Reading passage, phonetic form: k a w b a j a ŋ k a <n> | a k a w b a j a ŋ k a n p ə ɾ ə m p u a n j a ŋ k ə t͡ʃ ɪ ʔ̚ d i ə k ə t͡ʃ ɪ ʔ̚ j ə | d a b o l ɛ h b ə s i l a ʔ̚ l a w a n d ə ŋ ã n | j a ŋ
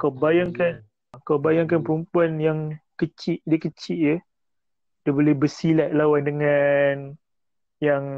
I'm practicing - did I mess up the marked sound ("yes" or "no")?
no